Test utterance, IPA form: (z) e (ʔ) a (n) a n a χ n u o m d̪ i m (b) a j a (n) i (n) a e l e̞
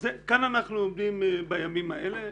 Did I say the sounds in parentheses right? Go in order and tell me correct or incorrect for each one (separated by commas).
correct, incorrect, correct, correct, incorrect, incorrect